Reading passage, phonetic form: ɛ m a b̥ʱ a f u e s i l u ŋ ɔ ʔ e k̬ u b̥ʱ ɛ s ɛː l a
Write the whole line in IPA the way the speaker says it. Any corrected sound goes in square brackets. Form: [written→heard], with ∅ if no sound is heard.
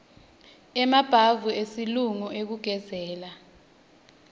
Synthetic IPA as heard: ɛ m a b̥ʱ a [f→v] u e s i l u ŋ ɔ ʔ e k̬ u [b̥ʱ→ɡ̥ʱ] ɛ [s→z] ɛː l a